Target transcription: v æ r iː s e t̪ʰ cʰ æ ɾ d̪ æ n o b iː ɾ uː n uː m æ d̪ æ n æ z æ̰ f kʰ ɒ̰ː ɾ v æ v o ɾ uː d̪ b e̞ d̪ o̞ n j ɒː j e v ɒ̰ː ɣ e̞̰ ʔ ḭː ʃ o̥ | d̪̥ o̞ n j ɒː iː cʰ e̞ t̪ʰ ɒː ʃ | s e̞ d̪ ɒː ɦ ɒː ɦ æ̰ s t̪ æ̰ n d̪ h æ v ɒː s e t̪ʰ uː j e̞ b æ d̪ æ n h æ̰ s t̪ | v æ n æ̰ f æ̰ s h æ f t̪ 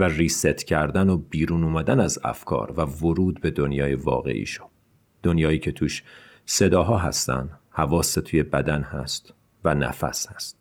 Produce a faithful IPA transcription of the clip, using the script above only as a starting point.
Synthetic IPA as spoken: v æ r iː s e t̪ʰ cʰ æ ɾ d̪ æ n o b iː ɾ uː n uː m æ d̪ æ n æ z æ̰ f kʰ ɒ̰ː ɾ v æ v o ɾ uː d̪ b e̞ d̪ o̞ n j ɒː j e v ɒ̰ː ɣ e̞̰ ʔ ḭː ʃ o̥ | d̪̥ o̞ n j ɒː iː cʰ e̞ t̪ʰ uː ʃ | s e̞ d̪ ɒː ɦ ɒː ɦ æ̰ s t̪ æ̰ n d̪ h æ v ɒː s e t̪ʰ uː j e̞ b æ d̪ æ n h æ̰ s t̪ | v æ n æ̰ f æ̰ s h æ s t̪